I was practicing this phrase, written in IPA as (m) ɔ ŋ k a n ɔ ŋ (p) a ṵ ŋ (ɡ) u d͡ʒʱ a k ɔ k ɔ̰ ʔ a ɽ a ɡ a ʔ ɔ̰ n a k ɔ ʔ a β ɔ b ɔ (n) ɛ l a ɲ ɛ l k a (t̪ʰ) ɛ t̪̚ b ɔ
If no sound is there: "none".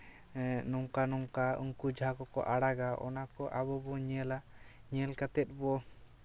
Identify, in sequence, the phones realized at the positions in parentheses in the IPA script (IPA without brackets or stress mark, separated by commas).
n, k, k, ɲ, t̪